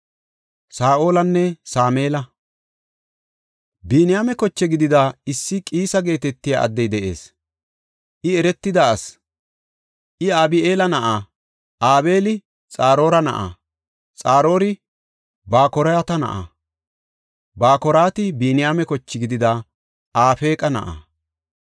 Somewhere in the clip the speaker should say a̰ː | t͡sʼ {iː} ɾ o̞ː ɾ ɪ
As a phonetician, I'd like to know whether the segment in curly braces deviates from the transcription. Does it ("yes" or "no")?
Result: yes